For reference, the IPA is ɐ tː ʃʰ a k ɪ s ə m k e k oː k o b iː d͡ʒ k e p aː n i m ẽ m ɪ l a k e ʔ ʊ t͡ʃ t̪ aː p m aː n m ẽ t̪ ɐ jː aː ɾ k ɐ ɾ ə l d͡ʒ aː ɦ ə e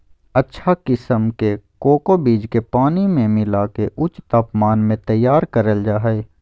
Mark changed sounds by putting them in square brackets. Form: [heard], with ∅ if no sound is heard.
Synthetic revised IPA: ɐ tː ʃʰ a k ɪ s ə m k e k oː k o b iː d͡ʒ k e p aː n i m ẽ m ɪ l a k e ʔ ʊ t͡ʃ t̪ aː p m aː n m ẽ t̪ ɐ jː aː ɾ k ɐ ɾ ə l d͡ʒ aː ɦ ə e